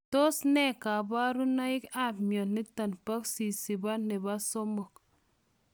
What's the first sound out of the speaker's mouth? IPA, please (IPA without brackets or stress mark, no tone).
t